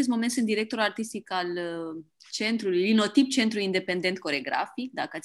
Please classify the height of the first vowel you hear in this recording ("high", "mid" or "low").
mid